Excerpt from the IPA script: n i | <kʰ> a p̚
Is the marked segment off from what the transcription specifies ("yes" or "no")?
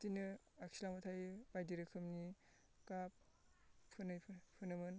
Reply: yes